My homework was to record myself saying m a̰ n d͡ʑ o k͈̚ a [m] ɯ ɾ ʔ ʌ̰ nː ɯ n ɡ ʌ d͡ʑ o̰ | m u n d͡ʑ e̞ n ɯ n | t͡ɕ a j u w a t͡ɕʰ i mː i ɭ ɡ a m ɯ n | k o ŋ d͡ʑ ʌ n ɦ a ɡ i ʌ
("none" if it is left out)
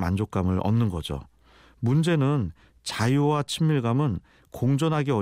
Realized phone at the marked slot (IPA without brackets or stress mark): m